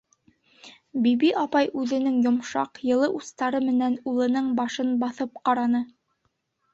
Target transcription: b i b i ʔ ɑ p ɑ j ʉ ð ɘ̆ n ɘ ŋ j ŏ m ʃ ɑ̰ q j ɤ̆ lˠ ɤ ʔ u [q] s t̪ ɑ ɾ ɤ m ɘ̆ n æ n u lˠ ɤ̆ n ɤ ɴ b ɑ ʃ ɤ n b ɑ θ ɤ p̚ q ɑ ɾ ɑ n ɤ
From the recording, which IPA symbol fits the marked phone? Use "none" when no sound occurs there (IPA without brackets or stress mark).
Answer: none